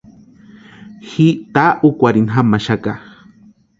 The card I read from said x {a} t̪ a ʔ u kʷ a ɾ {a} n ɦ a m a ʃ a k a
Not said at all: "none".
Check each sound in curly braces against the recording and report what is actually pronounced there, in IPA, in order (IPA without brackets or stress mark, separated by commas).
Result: i, i